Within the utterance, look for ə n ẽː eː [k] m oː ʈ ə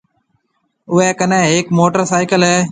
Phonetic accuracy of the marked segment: correct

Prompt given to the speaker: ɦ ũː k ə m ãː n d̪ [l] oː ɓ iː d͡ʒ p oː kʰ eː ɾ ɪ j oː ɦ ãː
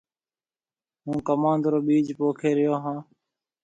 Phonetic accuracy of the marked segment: incorrect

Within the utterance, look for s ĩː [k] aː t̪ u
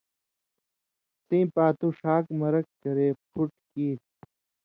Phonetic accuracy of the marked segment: incorrect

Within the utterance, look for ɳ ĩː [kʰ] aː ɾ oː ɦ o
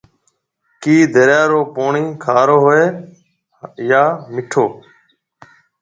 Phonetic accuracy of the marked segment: correct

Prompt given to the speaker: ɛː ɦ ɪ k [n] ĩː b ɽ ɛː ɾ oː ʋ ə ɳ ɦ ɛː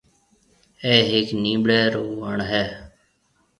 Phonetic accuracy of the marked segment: correct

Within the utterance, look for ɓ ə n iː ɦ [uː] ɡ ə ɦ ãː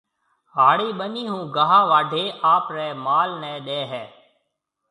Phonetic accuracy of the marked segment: incorrect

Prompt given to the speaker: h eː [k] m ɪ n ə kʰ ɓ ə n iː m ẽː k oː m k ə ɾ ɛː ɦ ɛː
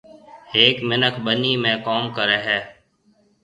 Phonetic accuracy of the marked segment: correct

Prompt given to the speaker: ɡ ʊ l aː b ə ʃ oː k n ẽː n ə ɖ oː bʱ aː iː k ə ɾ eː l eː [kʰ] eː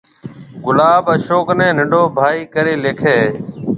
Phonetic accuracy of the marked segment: correct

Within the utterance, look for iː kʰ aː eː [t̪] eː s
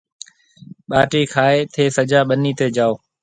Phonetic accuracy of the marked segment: incorrect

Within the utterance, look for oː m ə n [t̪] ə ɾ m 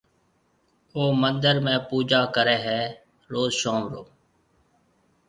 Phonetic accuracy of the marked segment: incorrect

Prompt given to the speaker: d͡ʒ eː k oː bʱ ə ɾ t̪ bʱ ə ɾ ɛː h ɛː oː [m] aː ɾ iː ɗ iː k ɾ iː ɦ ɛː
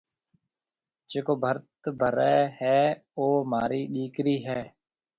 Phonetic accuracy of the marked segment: correct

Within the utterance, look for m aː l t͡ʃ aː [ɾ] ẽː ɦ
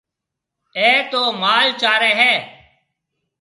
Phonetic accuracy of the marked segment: correct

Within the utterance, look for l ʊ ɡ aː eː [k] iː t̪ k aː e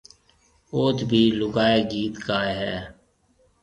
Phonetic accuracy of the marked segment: incorrect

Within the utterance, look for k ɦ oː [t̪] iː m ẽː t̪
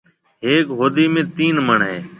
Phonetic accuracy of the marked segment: incorrect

